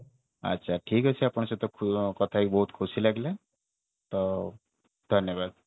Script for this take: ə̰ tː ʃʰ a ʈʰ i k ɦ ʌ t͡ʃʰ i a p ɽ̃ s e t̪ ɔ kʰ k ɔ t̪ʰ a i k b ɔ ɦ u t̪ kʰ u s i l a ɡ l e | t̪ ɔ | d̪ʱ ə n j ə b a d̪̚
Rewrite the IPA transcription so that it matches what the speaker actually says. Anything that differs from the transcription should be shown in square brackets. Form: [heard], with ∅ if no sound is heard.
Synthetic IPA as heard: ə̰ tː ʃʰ a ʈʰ i k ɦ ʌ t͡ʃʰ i a p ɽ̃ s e t̪ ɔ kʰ k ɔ t̪ʰ a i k b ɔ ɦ u t̪ kʰ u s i l a ɡ l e | t̪ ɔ | d̪ʱ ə n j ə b a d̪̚